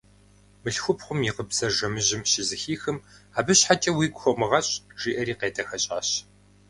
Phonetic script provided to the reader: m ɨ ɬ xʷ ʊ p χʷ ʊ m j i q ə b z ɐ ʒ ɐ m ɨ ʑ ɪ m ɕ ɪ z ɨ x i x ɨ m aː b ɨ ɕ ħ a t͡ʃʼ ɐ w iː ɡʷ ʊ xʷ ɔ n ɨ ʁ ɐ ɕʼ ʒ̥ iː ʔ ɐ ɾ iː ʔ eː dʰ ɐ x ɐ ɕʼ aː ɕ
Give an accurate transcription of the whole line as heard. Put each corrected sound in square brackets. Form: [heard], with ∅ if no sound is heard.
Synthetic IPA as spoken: m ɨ ɬ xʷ ʊ p χʷ ʊ m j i q ə b z ɐ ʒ ɐ m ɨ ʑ ɪ m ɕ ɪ z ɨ x [iː] x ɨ m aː b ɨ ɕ ħ a t͡ʃʼ ɐ w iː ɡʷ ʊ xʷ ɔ [m] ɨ ʁ ɐ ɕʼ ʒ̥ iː ʔ ɐ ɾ iː [q] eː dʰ ɐ x ɐ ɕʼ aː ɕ